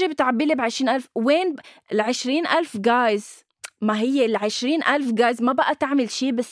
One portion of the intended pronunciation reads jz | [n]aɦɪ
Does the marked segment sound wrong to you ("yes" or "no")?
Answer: yes